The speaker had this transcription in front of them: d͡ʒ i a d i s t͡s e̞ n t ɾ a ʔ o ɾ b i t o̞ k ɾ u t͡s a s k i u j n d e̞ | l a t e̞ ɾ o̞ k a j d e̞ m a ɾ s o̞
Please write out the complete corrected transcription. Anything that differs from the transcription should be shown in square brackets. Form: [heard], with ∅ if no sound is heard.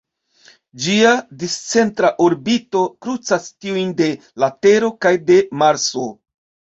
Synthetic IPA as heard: d͡ʒ i a d i s t͡s e̞ n t ɾ a ʔ o ɾ b i t o̞ k ɾ u t͡s a s [t] i u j n d e̞ | l a t e̞ ɾ o̞ k a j d e̞ m a ɾ s o̞

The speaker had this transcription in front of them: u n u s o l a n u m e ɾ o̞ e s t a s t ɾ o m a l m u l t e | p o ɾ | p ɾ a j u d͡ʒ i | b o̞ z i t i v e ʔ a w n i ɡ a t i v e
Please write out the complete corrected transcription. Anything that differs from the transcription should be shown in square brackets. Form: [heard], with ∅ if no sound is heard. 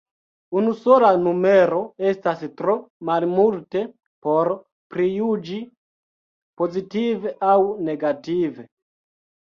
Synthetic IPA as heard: u n u s o l a n u m e ɾ o̞ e s t a s t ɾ o m a l m u l t e | p o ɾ | p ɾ [i] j u d͡ʒ i | [p] o̞ z i t i v e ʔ a w n [e] ɡ a t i v e

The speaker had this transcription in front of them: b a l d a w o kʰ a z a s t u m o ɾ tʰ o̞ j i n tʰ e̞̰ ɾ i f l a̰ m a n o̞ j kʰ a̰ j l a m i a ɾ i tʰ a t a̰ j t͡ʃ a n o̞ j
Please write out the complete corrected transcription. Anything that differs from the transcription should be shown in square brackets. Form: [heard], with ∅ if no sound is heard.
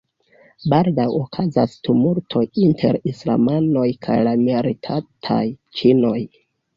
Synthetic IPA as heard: b a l d a w o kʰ a z a s t u m [u] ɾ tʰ o̞ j i n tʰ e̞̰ ɾ i [s] l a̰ m a n o̞ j kʰ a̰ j l a m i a ɾ i tʰ a [tʰ] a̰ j t͡ʃ [i] n o̞ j

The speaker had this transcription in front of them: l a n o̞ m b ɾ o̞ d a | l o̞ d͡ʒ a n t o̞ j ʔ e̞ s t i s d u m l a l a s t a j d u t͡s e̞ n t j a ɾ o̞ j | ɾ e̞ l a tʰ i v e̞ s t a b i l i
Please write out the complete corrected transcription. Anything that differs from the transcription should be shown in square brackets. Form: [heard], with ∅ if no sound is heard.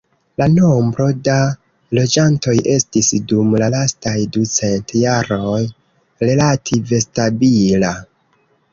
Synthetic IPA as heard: l a n o̞ m b ɾ o̞ d a | l o̞ d͡ʒ a n t o̞ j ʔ e̞ s t i s d u m l a l a s t a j d u t͡s e̞ n t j a ɾ o̞ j | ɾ e̞ l a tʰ i v e̞ s t a b i l [a]

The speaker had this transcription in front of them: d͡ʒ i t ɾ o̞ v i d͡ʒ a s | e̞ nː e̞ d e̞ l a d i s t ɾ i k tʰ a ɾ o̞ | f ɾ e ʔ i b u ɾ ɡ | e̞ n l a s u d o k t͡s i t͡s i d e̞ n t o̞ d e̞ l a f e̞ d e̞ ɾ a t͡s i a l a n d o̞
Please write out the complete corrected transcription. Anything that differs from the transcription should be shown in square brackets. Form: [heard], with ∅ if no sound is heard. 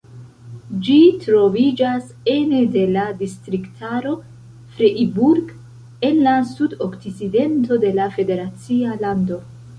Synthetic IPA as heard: d͡ʒ i t ɾ o̞ v i d͡ʒ a s | e̞ [n] e̞ d e̞ l a d i s t ɾ i k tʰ a ɾ o̞ | f ɾ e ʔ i b u ɾ ɡ | e̞ n l a s u d o k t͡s i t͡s i d e̞ n t o̞ d e̞ l a f e̞ d e̞ ɾ a t͡s i a l a n d o̞

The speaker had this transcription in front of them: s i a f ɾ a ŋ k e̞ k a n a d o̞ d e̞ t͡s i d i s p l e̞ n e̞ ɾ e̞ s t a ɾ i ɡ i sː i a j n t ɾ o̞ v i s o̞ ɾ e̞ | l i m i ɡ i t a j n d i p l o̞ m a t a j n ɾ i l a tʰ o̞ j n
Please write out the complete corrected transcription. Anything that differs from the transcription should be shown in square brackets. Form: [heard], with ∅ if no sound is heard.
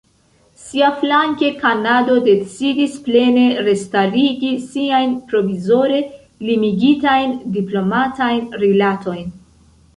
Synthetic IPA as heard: s i a f [l] a ŋ k e̞ k a n a d o̞ d e̞ t͡s i d i s p l e̞ n e̞ ɾ e̞ s t a ɾ i ɡ i [s] i a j n [p] ɾ o̞ v i [z] o̞ ɾ e̞ | l i m i ɡ i t a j n d i p l o̞ m a t a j n ɾ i l a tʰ o̞ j n

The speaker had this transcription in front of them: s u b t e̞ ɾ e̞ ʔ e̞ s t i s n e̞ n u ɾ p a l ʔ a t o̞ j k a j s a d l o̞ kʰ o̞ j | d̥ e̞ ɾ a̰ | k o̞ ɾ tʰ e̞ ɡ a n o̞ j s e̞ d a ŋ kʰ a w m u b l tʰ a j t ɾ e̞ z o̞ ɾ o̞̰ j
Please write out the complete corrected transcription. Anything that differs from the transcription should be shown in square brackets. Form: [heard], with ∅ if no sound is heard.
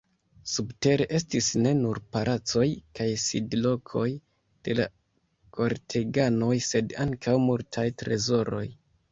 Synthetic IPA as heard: s u b t e̞ ɾ e̞ ʔ e̞ s t i s n e̞ n u ɾ p a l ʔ a [t͡s] o̞ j k a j s [i] d l o̞ kʰ o̞ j | d̥ e̞ [l] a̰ | k o̞ ɾ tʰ e̞ ɡ a n o̞ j s e̞ d a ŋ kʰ a w m u [∅] l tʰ a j t ɾ e̞ z o̞ ɾ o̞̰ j

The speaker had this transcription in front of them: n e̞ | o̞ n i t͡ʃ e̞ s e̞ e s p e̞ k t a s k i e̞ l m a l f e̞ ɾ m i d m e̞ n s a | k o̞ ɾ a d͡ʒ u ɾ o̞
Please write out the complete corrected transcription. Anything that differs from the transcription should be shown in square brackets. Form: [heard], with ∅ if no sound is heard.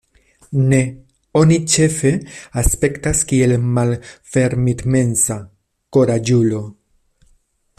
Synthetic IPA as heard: n e̞ | o̞ n i t͡ʃ e̞ [f] e̞ [a] s p e̞ k t a s k i e̞ l m a l f e̞ ɾ m i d m e̞ n s a | k o̞ ɾ a d͡ʒ u [l] o̞

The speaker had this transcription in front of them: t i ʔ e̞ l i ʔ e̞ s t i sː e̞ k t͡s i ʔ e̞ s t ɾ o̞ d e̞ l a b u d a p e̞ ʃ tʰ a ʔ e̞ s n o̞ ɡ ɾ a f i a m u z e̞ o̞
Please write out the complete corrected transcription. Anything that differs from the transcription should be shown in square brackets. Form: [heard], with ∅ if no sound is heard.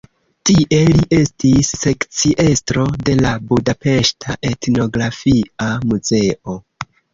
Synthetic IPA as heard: t i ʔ e̞ l i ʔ e̞ s t i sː e̞ k t͡s i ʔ e̞ s t ɾ o̞ d e̞ l a b u d a p e̞ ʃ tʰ a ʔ e̞ [t] n o̞ ɡ ɾ a f i a m u z e̞ o̞

